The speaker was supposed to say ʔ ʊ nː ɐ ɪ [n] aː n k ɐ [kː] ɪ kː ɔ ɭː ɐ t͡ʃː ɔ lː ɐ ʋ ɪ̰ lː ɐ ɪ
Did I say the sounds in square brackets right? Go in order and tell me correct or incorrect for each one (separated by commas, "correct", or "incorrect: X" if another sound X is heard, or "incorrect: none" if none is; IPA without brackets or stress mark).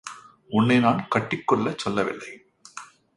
correct, incorrect: ʈː